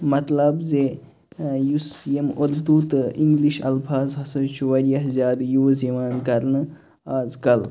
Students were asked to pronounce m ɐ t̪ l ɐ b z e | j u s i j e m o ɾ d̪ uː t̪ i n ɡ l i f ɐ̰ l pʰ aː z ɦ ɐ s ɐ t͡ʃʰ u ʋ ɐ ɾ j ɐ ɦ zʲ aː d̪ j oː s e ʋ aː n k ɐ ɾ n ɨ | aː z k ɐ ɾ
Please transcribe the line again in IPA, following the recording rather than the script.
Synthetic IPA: m ɐ t̪ l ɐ b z e | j u s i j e m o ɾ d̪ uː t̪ i ŋ ɡ l i ʃ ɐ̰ l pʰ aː z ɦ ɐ s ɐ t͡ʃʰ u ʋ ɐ ɾ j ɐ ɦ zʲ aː d̪ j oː z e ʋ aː n k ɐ ɾ n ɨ | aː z k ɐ l